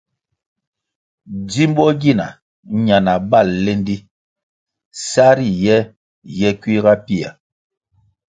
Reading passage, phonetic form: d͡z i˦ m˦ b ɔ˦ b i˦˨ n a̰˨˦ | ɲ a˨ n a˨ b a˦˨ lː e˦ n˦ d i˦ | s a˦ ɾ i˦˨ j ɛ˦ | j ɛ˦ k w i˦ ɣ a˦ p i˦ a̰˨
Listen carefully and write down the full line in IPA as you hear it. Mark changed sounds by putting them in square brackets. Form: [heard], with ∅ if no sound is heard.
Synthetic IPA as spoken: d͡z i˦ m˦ b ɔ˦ [ɡ] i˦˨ n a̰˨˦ | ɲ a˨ n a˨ b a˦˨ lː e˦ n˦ d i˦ | s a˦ ɾ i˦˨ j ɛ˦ | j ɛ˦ k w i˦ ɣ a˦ p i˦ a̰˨